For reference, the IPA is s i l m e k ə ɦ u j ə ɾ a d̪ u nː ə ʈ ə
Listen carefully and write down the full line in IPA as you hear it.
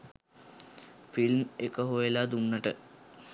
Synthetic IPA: f i l m e k ə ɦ o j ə l a d̪ u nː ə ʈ ə